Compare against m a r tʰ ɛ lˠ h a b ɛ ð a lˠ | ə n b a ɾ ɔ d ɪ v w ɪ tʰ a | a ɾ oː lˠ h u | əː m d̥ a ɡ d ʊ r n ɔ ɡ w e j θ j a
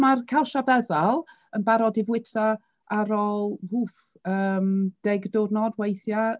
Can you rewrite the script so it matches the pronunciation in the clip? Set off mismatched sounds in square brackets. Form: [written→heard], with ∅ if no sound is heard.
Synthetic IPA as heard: m a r [tʰ→kʰ] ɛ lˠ [h→ʃ] a b ɛ ð a lˠ | ə n b a ɾ ɔ d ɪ v w ɪ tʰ a | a ɾ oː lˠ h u | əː m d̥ [a→ɛ] ɡ d ʊ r n ɔ [ɡ→d] w e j θ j a